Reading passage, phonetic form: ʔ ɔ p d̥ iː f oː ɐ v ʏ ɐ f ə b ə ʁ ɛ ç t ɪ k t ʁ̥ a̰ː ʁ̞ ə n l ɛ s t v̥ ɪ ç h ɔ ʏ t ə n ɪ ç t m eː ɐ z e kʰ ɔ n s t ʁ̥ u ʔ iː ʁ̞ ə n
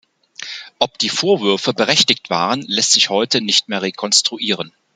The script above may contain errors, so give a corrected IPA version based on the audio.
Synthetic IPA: ʔ ɔ p d̥ iː f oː ɐ v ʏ ɐ f ə b ə ʁ ɛ ç t ɪ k t v̥ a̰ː ʁ̞ ə n l ɛ s t z̥ ɪ ç h ɔ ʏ t ə n ɪ ç t m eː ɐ ʁ e kʰ ɔ n s t ʁ̥ u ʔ iː ʁ̞ ə n